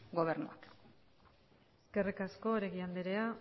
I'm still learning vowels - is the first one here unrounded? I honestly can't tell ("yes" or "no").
no